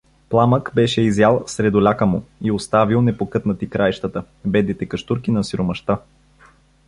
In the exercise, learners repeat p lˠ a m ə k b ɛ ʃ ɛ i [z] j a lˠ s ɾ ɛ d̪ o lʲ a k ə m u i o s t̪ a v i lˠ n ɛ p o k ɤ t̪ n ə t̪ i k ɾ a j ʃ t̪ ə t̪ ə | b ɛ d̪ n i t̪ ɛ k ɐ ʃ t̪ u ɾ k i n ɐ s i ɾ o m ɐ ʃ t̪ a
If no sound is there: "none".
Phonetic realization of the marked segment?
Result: z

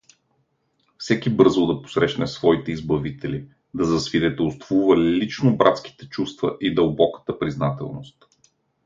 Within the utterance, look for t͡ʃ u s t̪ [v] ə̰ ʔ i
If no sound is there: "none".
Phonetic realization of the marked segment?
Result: v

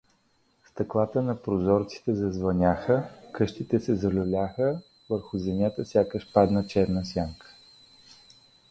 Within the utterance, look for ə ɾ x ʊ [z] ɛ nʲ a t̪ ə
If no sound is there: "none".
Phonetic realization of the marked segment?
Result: z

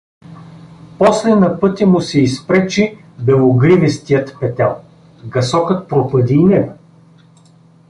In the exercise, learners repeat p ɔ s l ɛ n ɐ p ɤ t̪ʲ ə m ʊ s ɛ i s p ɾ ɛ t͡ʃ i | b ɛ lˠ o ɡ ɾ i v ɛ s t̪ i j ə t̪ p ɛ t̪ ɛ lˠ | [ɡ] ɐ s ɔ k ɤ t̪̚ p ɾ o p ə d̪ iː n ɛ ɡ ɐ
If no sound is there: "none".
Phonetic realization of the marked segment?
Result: ɡ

